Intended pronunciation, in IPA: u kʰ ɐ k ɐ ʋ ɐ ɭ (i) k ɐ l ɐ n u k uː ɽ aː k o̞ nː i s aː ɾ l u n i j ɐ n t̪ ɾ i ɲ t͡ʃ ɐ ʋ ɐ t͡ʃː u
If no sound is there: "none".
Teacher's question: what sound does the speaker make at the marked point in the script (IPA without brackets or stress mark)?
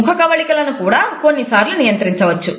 i